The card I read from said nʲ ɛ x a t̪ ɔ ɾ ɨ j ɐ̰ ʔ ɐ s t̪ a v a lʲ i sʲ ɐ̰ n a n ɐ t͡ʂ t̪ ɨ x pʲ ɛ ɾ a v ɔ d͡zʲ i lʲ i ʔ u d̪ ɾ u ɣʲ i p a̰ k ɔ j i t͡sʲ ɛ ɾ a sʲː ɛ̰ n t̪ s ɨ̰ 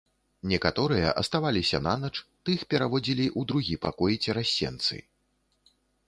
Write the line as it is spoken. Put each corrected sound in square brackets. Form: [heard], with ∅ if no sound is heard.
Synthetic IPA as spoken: nʲ ɛ [k] a t̪ ɔ ɾ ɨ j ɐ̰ ʔ ɐ s t̪ a v a lʲ i sʲ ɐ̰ n a n ɐ t͡ʂ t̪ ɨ x pʲ ɛ ɾ a v ɔ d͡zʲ i lʲ i ʔ u d̪ ɾ u ɣʲ i p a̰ k ɔ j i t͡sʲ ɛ ɾ a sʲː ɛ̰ n t̪ s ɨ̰